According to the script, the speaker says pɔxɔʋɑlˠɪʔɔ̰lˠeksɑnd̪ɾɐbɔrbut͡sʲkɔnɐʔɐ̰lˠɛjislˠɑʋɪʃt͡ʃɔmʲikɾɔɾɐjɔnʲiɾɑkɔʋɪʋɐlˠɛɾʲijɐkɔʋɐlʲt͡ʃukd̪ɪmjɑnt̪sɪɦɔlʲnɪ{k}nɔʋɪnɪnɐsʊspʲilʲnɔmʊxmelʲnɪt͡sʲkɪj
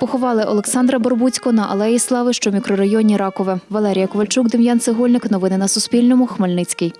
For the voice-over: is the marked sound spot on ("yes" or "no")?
yes